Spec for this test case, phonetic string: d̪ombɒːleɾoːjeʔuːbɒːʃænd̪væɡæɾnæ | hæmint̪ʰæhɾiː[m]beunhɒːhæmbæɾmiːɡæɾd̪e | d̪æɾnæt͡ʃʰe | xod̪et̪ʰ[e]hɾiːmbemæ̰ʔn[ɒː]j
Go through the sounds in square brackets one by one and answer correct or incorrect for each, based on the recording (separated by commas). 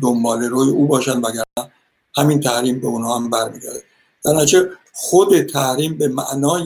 correct, incorrect, correct